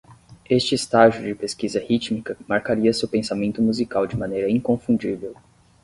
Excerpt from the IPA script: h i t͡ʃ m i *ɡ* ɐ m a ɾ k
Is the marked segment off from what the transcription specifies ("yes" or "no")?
yes